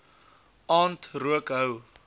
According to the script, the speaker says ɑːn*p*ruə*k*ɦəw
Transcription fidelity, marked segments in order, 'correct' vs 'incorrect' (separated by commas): incorrect, correct